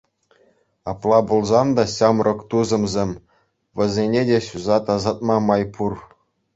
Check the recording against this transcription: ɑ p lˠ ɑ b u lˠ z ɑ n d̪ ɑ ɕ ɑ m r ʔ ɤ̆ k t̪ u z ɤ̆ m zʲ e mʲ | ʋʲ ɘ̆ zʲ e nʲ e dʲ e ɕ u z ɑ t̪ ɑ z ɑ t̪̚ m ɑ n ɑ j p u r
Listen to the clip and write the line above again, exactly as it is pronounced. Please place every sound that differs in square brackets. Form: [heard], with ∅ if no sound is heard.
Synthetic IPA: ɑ p lˠ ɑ b u lˠ z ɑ n d̪ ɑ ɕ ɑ m r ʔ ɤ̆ k t̪ u z ɤ̆ m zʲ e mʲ | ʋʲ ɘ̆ zʲ e nʲ e dʲ e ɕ u z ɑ t̪ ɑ z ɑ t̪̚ m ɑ [m] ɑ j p u r